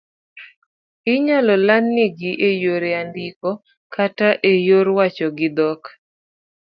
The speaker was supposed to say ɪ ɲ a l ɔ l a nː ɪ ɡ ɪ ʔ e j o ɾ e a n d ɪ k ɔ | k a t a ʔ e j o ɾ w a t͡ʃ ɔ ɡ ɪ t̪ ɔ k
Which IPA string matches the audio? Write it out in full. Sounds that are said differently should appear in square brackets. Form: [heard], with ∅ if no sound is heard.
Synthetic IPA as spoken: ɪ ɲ a l ɔ l a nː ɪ ɡ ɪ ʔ e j o ɾ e a n d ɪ k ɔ | k a t a ʔ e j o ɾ w a t͡ʃ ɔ ɡ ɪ [d̪] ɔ k